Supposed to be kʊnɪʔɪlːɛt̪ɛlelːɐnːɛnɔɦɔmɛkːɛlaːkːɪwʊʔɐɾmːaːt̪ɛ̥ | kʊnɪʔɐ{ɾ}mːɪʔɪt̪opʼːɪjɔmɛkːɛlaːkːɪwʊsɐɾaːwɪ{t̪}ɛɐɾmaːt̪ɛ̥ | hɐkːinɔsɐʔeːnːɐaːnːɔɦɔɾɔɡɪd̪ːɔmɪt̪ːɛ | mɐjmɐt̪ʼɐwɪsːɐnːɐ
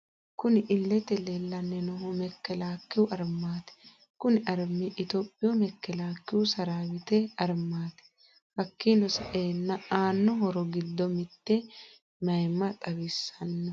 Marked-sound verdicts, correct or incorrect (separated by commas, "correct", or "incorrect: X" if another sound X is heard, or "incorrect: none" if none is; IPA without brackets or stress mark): correct, correct